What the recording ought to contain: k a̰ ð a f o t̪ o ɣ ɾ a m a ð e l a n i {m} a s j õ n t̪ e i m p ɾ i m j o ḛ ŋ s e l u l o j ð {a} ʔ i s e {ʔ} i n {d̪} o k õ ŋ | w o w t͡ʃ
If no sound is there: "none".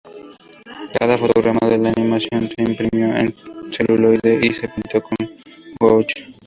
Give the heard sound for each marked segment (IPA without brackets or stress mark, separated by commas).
m, e, p, t̪